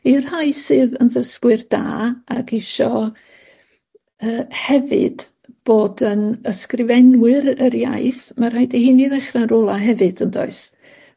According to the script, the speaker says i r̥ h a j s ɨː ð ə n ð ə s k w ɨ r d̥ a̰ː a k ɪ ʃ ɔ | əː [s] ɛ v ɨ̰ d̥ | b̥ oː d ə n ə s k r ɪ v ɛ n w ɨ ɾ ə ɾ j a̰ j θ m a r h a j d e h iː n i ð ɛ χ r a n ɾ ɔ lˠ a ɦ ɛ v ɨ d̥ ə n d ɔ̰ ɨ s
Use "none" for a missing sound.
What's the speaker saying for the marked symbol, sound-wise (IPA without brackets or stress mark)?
h